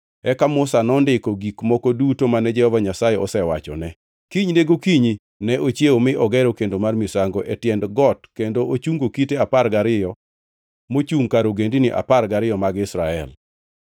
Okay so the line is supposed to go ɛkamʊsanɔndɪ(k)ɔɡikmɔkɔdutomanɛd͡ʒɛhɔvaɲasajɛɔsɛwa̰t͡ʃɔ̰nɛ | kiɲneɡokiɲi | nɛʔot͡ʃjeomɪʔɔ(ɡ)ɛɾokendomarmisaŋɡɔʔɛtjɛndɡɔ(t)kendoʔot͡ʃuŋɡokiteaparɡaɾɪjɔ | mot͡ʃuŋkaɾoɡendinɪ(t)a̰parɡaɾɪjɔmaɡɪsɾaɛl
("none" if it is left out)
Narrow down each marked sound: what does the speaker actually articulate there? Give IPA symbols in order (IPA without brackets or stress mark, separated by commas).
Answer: k, ɡ, t, ʔ